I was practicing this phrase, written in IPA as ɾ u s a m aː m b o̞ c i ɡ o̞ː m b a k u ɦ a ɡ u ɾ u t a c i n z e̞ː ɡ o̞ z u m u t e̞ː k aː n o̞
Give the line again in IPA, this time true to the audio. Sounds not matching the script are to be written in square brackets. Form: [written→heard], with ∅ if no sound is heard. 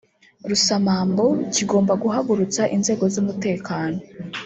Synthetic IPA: ɾ u s a m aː m b o̞ c i ɡ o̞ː m b a [k→ɡ] u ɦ a ɡ u ɾ u [t→t͡s] a [c→ʔ] i n z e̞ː ɡ o̞ z u m u t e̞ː k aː n o̞